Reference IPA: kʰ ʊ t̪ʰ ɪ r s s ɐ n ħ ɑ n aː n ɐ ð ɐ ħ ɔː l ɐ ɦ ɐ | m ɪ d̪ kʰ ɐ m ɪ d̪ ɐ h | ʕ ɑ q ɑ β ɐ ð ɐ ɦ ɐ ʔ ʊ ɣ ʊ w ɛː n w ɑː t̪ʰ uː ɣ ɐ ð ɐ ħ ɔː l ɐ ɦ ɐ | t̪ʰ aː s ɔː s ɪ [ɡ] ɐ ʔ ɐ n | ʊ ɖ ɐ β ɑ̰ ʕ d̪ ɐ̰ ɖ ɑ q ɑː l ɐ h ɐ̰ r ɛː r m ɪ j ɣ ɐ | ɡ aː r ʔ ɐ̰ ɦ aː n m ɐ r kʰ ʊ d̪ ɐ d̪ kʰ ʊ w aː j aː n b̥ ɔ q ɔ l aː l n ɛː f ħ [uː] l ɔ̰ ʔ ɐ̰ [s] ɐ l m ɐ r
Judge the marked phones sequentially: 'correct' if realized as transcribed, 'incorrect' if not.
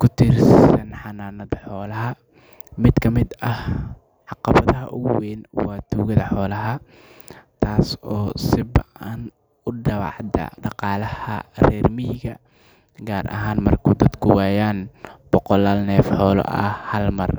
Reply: incorrect, incorrect, incorrect

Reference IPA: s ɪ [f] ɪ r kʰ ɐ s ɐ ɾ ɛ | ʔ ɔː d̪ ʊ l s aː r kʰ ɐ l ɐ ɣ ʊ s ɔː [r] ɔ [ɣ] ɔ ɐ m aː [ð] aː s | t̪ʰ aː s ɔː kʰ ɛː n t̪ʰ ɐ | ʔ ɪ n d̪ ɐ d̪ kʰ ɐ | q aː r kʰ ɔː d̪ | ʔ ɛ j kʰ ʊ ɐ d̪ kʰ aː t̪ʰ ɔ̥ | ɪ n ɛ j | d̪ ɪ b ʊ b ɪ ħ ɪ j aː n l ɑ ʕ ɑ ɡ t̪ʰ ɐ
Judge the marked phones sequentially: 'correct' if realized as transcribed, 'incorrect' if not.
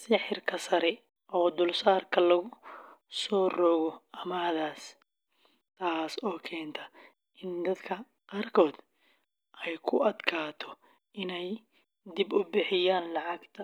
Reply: incorrect, correct, correct, correct

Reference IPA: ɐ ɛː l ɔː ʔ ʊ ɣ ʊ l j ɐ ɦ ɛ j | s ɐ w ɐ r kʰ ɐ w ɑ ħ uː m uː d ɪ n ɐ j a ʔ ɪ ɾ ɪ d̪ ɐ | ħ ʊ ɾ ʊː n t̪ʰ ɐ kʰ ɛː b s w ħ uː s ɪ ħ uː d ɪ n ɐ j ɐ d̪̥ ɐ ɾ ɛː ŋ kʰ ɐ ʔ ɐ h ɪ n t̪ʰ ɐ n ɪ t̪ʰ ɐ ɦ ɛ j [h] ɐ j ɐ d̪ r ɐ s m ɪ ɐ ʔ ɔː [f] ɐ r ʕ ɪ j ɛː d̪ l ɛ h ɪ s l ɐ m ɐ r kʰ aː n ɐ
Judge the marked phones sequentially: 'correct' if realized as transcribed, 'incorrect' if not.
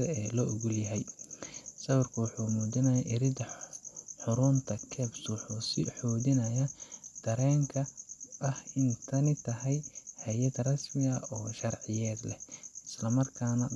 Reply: correct, incorrect

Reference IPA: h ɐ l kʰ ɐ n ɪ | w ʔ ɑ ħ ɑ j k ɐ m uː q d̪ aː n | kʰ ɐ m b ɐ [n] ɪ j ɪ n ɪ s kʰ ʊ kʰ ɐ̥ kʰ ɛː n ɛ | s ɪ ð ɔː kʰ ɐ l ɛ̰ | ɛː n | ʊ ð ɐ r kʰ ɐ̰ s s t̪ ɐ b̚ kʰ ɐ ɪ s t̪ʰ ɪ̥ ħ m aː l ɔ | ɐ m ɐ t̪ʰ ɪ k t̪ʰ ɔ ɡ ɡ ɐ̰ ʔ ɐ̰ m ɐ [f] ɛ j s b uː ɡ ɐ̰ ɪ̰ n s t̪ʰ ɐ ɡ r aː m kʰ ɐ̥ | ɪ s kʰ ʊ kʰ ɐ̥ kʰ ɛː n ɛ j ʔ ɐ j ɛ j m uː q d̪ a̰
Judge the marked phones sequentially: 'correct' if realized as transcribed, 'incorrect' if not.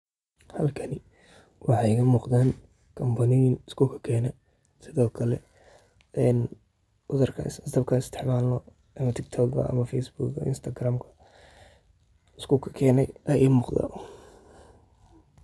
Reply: correct, correct

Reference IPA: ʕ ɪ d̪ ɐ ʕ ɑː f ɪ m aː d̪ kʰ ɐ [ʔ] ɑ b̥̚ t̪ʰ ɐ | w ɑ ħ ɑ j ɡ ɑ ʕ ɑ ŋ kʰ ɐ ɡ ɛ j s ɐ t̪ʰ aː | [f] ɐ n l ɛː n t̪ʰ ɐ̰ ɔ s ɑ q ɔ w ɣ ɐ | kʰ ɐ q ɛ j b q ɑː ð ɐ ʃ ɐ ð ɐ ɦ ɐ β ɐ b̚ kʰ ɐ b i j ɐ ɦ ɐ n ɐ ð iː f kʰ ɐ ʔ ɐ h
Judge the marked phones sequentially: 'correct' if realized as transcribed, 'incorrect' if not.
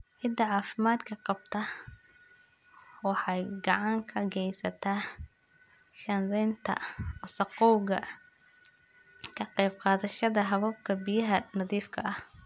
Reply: incorrect, incorrect

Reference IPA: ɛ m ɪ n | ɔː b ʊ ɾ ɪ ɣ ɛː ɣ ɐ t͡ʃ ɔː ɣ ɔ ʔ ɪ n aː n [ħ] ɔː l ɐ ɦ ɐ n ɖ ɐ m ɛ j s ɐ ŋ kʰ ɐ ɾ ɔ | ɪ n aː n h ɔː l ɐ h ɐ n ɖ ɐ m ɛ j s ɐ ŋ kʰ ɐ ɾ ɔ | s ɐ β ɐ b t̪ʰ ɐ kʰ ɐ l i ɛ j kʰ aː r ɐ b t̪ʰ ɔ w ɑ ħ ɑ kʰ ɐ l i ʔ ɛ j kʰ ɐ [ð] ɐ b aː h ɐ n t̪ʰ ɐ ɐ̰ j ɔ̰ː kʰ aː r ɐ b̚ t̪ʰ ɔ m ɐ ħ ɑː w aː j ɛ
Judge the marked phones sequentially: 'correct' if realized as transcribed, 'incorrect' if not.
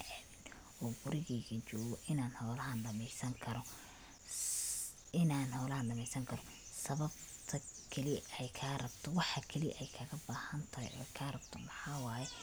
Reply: incorrect, incorrect

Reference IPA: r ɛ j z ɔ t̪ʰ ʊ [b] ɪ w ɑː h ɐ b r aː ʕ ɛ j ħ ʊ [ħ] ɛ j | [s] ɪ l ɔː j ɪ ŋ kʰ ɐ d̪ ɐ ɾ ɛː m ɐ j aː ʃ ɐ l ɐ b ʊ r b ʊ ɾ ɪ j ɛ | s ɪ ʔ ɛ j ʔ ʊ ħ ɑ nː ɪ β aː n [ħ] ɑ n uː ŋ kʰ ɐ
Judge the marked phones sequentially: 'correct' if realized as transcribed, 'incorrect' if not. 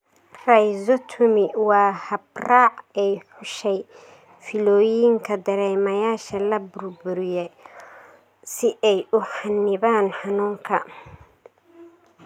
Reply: incorrect, incorrect, incorrect, correct

